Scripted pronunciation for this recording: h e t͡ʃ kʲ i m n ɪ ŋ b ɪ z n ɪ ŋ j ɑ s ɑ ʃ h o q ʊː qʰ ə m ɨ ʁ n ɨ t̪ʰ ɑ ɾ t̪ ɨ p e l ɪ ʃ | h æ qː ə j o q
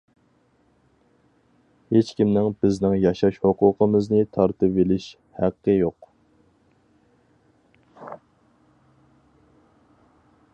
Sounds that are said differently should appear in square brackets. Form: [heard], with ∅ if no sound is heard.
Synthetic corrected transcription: h e t͡ʃ kʲ i m n ɪ ŋ b ɪ z n ɪ ŋ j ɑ [ʃ] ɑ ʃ h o q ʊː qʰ ə m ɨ [z] n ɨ t̪ʰ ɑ ɾ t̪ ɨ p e l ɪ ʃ | h æ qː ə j o q